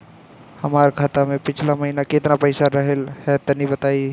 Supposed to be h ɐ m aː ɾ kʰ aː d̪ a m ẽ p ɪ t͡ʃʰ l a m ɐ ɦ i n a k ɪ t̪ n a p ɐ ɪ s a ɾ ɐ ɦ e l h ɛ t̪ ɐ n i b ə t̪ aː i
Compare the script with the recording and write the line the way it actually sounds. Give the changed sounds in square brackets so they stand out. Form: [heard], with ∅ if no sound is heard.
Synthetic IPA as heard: h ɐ m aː ɾ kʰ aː [t̪] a m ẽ p ɪ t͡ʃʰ l a m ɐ ɦ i n a k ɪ t̪ n a p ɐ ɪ s a ɾ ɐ ɦ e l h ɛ t̪ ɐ n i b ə t̪ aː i